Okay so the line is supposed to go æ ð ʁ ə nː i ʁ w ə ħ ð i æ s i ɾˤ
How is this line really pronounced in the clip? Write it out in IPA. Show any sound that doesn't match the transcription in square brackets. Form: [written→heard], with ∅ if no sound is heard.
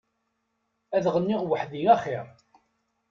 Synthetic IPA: æ ð ʁ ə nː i ʁ w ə ħ ð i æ [s→χ] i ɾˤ